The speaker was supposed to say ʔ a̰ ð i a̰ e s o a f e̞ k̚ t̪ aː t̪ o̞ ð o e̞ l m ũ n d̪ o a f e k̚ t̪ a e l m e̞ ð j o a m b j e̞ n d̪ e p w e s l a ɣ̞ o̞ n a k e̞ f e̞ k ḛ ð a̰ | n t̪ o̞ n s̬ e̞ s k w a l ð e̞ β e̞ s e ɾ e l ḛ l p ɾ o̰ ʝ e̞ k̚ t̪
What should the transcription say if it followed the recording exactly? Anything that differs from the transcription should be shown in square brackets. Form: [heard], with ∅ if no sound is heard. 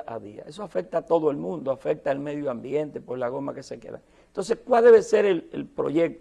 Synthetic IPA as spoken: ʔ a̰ ð i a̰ e s o a f e̞ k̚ t̪ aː t̪ o̞ ð o e̞ l m ũ n d̪ o a f e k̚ t̪ a e l m e̞ ð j o a m b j e̞ n [t̪] e p w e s l a ɣ̞ o̞ [m] a k e̞ [s] e̞ k ḛ ð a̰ | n t̪ o̞ n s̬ e̞ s k w a l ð e̞ β e̞ s e ɾ e l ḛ l p ɾ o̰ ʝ e̞ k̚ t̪